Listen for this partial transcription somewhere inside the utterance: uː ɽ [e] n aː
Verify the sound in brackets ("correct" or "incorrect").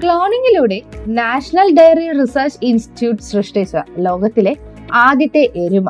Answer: correct